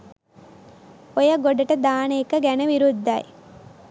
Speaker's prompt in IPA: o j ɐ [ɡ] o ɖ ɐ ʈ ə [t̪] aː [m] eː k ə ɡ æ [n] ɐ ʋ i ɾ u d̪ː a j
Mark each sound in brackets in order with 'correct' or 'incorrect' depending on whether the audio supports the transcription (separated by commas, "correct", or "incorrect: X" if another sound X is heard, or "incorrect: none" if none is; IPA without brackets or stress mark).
correct, incorrect: d̪, incorrect: n, correct